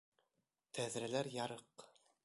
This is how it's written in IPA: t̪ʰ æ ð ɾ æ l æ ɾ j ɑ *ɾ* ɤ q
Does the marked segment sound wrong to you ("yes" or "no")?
no